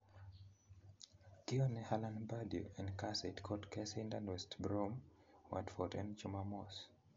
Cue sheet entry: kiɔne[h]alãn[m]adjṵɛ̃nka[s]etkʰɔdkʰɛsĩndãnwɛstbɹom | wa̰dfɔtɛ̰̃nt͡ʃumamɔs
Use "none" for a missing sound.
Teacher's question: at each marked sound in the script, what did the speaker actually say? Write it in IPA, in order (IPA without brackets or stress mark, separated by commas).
h, b, s